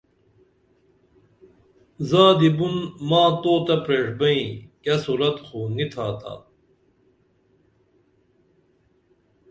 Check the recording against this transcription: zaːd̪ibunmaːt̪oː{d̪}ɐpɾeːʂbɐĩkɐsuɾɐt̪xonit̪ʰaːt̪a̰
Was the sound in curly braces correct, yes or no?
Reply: no